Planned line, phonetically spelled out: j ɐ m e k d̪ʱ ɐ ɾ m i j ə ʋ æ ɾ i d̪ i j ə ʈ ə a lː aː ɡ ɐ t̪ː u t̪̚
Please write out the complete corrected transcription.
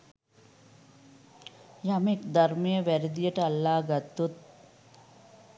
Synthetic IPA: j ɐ m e k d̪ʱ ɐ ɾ m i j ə ʋ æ ɾ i d̪ i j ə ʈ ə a lː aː ɡ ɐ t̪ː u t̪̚